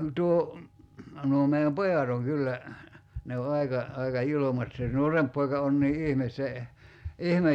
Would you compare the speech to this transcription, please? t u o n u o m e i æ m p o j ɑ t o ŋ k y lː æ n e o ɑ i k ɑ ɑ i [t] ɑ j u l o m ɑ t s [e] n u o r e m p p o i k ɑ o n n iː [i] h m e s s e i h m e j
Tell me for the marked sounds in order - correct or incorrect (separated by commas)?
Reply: incorrect, correct, correct